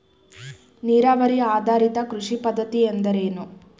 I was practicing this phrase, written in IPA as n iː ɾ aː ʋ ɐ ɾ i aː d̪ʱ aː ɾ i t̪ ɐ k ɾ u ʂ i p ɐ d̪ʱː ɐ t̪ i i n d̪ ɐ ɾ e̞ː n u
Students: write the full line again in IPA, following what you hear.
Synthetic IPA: n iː ɾ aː ʋ ɐ ɾ i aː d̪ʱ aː ɾ i t̪ ɐ k ɾ u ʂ i p ɐ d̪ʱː ɐ t̪ i e n d̪ ɐ ɾ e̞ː n u